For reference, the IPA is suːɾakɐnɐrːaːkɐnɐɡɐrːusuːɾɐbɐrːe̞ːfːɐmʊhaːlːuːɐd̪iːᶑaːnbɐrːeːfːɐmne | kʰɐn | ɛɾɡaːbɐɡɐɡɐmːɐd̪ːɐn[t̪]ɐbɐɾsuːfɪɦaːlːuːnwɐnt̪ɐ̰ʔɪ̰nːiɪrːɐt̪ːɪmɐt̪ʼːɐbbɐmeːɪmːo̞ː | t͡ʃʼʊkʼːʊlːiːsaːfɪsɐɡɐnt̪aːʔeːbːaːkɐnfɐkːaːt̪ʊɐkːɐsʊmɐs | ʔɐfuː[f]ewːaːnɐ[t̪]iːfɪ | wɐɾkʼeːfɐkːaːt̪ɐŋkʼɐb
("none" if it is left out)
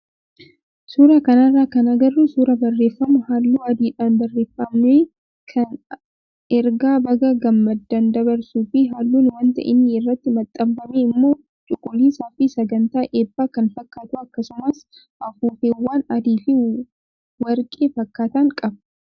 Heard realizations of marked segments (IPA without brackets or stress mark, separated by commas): d̪, f, d̪